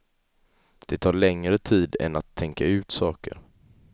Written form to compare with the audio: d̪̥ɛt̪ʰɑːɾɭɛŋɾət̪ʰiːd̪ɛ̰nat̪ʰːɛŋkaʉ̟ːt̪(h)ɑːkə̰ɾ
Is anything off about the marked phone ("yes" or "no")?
yes